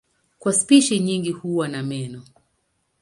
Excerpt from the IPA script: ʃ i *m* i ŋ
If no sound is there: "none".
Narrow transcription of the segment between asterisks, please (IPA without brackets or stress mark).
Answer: ɲ